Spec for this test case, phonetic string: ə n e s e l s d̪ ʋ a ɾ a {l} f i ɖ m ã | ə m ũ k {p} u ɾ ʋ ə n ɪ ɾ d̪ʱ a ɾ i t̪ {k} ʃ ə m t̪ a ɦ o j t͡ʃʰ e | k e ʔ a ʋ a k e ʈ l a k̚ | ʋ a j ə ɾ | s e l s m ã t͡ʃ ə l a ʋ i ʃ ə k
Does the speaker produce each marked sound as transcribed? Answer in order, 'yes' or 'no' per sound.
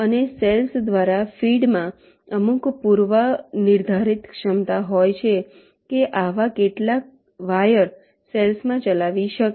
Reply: no, yes, yes

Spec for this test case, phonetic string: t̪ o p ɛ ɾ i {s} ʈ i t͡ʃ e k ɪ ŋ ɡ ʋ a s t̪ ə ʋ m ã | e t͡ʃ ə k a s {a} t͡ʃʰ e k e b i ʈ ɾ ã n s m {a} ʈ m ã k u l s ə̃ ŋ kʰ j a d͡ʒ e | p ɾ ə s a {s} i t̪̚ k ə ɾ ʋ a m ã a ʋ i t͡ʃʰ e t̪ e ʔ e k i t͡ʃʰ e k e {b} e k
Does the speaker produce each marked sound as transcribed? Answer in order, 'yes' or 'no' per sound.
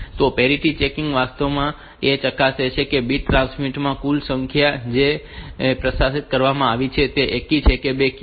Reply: no, no, no, yes, yes

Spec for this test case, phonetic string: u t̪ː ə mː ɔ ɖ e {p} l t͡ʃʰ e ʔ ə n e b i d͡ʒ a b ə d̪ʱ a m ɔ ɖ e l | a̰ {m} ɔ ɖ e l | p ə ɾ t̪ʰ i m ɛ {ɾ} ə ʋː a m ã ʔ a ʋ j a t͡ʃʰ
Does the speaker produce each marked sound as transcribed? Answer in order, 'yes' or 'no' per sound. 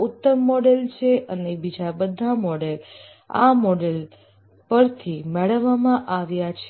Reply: no, yes, no

